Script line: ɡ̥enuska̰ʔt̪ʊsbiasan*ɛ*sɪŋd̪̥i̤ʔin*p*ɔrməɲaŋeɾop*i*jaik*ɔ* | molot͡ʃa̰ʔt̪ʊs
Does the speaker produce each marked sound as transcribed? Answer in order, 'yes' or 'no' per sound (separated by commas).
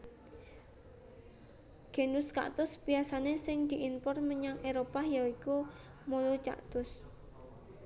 no, yes, no, no